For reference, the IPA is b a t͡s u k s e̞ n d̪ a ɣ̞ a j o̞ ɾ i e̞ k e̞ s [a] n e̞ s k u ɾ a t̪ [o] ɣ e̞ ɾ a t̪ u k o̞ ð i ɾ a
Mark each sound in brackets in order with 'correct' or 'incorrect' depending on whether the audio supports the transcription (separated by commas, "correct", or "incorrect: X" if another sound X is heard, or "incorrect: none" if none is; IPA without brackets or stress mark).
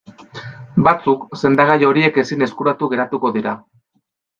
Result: incorrect: i, incorrect: u